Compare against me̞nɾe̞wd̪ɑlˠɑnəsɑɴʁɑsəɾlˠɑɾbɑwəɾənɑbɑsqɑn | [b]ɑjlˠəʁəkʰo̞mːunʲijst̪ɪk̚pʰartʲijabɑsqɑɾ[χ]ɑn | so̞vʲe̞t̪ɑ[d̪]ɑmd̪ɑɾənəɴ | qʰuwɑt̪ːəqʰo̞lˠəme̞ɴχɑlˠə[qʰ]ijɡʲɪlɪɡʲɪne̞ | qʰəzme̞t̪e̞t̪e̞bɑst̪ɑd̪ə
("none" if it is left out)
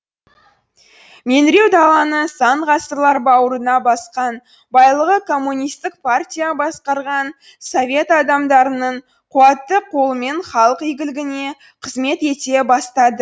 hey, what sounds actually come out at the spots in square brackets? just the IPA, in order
b, ʁ, d̪, q

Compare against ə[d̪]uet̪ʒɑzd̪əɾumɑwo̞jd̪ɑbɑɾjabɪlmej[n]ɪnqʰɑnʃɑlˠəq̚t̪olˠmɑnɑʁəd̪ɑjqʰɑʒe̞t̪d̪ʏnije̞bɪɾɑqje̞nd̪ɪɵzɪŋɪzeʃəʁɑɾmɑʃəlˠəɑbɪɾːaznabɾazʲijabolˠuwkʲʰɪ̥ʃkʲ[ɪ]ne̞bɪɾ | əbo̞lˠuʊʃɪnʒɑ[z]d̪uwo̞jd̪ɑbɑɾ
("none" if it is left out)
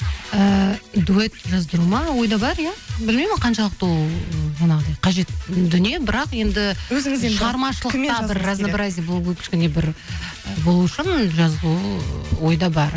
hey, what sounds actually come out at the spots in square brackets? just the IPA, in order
d̪, m, ɪ, z

